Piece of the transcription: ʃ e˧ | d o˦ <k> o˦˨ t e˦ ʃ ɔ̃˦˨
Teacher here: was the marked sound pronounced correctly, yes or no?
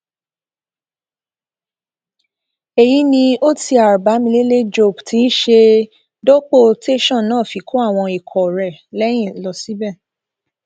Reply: no